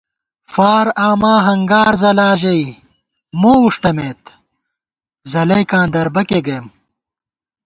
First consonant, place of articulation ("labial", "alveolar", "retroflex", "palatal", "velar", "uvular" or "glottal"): labial